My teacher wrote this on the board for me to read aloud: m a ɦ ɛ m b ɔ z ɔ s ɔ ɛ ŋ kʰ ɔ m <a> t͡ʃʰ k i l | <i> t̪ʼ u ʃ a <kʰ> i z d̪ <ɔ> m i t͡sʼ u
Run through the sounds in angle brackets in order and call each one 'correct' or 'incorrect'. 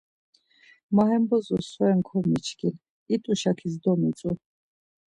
incorrect, correct, correct, correct

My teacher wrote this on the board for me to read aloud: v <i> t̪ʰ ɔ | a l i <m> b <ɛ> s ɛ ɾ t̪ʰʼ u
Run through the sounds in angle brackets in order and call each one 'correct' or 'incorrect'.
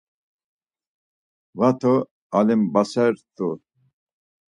incorrect, correct, incorrect

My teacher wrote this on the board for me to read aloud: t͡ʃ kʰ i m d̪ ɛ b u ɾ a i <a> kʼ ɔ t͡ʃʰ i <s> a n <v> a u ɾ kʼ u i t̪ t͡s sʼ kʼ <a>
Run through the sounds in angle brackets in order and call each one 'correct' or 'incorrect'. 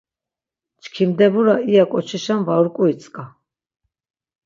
correct, incorrect, correct, correct

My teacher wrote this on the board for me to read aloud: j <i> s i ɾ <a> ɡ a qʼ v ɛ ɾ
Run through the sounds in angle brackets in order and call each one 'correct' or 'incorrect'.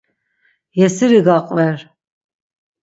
incorrect, incorrect

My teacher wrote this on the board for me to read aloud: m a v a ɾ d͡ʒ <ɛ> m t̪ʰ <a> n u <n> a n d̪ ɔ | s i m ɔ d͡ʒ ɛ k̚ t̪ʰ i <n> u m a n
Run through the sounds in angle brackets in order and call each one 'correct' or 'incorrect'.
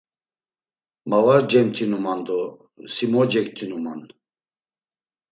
correct, incorrect, incorrect, correct

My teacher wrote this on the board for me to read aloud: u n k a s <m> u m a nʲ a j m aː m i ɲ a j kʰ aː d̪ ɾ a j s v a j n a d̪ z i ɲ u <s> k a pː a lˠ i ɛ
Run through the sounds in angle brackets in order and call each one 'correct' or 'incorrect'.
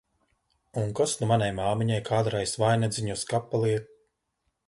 incorrect, correct

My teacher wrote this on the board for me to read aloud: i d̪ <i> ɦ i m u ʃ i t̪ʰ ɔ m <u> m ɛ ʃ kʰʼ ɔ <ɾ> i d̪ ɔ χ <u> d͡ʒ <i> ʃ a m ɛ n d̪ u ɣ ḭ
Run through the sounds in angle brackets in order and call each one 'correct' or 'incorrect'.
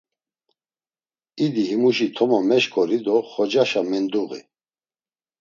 correct, incorrect, correct, incorrect, incorrect

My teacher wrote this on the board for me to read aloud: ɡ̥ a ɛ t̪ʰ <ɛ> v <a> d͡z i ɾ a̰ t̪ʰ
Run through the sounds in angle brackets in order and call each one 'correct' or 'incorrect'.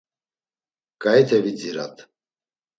correct, incorrect

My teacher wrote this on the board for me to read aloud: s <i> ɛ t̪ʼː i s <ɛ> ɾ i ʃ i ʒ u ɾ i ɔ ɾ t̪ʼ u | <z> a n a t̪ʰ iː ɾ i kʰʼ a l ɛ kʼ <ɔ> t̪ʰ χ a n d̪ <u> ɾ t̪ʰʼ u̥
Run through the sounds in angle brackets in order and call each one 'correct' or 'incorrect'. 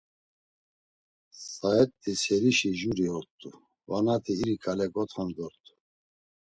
incorrect, correct, incorrect, correct, incorrect

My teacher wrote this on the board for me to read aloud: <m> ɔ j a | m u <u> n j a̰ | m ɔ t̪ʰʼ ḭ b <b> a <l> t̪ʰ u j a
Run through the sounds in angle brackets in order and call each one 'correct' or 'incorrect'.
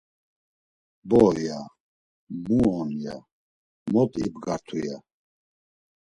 incorrect, incorrect, incorrect, incorrect

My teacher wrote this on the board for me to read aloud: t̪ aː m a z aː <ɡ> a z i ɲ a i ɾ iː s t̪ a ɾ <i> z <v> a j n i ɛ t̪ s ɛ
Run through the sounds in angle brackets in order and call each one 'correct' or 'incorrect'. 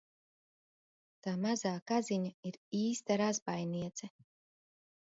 incorrect, incorrect, incorrect

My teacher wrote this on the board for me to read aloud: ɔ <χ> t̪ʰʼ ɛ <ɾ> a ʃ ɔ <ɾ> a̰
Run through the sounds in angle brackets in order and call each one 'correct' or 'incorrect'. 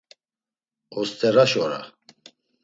incorrect, correct, correct

